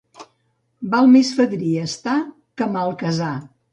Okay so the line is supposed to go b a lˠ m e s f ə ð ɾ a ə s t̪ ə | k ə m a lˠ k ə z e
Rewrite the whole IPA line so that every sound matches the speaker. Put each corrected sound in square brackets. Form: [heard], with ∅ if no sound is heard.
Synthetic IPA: b a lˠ m e s f ə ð ɾ [i] ə s t̪ [a] | k ə m a lˠ k ə z [a]